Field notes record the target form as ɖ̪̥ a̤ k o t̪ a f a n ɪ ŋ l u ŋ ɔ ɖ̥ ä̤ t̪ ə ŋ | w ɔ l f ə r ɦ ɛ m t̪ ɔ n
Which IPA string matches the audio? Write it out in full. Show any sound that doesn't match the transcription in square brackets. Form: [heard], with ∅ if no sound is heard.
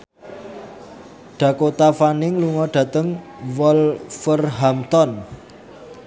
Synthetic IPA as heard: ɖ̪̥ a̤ k o t̪ a f a n ɪ ŋ l u ŋ ɔ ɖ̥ ä̤ t̪ ə ŋ | w ɔ l f ə r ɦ [a] m t̪ ɔ n